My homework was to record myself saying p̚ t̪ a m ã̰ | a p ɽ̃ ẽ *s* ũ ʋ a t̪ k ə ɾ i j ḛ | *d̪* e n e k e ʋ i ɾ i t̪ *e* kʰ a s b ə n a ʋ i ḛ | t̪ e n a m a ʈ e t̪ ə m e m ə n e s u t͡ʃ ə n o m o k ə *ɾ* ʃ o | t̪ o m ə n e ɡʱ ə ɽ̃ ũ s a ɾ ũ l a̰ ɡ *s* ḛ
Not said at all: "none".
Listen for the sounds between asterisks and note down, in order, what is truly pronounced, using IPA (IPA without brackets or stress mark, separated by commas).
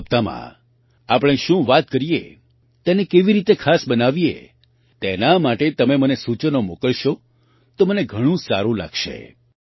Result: ʃ, t̪, e, ɭ, ʃ